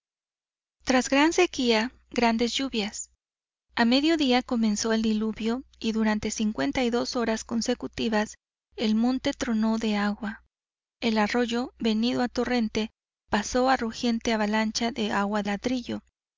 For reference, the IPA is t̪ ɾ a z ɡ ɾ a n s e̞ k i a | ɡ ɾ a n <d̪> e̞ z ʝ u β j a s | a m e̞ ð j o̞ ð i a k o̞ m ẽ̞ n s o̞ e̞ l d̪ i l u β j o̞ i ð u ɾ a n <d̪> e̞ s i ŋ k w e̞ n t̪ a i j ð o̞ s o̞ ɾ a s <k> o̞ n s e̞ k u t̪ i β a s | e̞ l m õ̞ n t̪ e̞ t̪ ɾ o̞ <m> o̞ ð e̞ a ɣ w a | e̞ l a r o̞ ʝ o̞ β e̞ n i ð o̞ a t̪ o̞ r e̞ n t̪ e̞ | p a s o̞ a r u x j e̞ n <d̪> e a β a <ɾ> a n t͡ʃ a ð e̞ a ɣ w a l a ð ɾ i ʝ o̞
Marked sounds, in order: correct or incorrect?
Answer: correct, incorrect: t̪, correct, incorrect: n, incorrect: t̪, incorrect: l

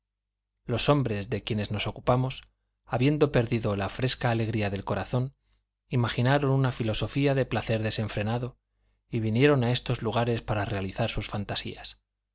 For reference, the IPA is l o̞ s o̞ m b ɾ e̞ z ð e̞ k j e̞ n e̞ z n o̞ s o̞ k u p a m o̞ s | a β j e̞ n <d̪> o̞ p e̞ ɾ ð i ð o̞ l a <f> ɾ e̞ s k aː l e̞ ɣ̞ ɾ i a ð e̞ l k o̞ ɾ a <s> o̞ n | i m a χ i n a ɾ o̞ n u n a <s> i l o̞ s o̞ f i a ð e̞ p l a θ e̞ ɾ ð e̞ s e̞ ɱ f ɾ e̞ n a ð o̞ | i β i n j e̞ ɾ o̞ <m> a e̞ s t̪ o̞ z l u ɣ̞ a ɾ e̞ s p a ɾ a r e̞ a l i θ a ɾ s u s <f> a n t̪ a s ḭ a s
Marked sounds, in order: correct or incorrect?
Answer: correct, correct, incorrect: θ, incorrect: f, incorrect: n, correct

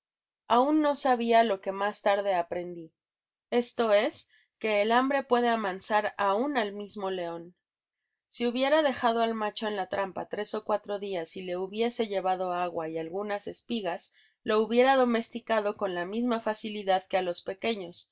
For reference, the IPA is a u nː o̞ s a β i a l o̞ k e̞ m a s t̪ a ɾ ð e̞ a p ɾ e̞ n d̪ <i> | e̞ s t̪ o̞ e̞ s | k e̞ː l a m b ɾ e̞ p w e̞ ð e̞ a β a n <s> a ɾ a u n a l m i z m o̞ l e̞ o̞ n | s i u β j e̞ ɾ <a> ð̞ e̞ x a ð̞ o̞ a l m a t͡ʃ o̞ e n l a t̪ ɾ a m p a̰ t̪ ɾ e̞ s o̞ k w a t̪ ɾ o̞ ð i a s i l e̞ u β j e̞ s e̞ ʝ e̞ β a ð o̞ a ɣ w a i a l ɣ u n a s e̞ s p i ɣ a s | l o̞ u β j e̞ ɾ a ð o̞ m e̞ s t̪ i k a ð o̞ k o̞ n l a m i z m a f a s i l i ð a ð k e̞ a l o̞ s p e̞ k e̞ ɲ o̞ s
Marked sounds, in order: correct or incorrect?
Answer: correct, correct, correct

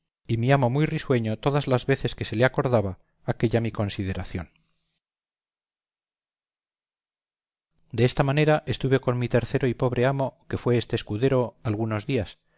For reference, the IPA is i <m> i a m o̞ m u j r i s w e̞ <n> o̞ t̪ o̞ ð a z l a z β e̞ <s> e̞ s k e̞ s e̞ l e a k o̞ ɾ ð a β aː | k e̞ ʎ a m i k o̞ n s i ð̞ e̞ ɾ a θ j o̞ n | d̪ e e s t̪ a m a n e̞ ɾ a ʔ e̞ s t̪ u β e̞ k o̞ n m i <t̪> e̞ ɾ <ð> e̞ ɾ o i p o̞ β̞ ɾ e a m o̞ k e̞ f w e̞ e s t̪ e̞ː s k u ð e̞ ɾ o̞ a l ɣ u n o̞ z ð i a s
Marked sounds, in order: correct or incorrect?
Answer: correct, incorrect: ɲ, incorrect: θ, correct, incorrect: θ

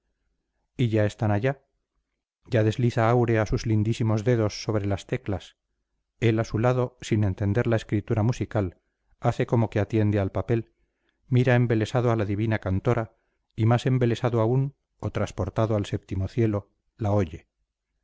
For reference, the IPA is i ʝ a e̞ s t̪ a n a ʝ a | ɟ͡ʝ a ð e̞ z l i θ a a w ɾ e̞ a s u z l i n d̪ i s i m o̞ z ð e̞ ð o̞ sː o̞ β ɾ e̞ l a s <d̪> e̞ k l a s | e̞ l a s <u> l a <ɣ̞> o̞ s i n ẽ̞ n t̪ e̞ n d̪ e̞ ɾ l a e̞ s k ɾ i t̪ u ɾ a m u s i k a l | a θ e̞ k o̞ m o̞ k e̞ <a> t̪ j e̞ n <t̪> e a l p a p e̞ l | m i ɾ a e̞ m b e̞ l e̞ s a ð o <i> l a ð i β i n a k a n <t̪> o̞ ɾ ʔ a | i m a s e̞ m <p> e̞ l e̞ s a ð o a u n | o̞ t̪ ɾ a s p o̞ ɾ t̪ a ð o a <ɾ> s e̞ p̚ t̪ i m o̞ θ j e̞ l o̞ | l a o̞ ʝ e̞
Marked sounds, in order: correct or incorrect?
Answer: incorrect: t̪, correct, incorrect: ð̞, correct, incorrect: d̪, incorrect: a, correct, incorrect: b, incorrect: l

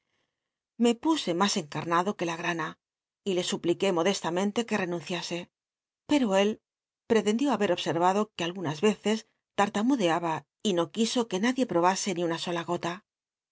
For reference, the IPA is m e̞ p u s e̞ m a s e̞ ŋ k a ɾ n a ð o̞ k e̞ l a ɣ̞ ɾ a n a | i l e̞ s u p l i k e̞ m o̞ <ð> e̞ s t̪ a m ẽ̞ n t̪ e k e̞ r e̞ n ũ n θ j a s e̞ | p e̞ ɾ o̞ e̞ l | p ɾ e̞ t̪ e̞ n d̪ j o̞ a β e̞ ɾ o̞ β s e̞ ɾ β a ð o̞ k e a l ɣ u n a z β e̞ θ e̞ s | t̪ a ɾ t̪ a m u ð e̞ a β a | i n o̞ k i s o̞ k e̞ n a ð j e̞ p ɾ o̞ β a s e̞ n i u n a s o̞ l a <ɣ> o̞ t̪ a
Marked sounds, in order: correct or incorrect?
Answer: correct, correct

